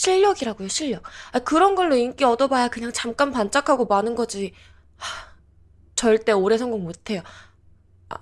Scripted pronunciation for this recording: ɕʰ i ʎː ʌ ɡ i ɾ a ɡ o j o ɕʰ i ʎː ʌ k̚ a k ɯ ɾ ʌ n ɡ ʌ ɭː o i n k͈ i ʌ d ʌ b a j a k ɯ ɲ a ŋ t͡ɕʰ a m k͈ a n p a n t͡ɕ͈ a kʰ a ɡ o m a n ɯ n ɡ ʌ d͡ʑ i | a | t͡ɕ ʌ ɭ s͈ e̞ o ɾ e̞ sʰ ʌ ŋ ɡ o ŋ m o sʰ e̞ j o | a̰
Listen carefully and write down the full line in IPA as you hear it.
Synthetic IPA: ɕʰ i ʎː ʌ ɡ i ɾ a ɡ o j o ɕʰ i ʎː ʌ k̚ a k ɯ ɾ ʌ n ɡ ʌ ɭː o i n k͈ i ʌ d ʌ b a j a k ɯ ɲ a ŋ t͡ɕ a m k͈ a n p a n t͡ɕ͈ a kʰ a ɡ o m a n ɯ n ɡ ʌ d͡ʑ i | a | t͡ɕ ʌ ɭ t͈ e̞ o ɾ e̞ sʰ ʌ ŋ ɡ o ŋ m o tʰ e̞ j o | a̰